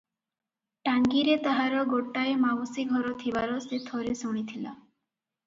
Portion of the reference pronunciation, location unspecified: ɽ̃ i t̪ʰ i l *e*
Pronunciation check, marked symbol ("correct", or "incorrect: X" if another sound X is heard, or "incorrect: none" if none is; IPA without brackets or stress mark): incorrect: a